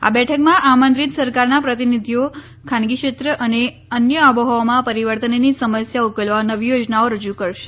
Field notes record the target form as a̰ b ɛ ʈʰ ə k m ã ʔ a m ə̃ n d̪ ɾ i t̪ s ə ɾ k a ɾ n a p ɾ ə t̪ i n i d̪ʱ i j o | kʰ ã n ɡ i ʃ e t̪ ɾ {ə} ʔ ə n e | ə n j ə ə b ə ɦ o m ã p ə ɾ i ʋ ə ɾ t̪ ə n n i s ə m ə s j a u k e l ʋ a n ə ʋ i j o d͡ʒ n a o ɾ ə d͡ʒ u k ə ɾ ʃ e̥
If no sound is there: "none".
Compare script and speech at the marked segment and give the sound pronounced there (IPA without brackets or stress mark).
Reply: ə